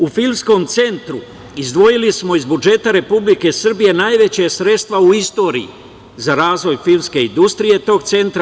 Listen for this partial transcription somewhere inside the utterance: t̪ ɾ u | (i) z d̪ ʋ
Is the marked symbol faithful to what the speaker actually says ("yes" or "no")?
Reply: yes